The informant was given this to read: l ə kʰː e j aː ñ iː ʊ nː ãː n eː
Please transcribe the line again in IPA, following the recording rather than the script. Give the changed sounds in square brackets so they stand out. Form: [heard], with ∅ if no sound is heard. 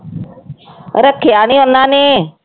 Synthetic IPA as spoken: [ɾ] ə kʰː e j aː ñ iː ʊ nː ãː n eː